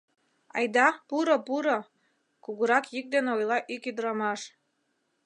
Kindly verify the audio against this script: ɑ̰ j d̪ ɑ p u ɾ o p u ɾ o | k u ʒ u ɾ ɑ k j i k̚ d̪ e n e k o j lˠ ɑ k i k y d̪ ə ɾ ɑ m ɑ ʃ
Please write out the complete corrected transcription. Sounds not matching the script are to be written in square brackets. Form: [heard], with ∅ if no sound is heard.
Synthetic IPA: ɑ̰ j d̪ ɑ p u ɾ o p u ɾ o | k u [ɣ] u ɾ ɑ k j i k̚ d̪ e n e [∅] o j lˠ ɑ [ʔ] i k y d̪ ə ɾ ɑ m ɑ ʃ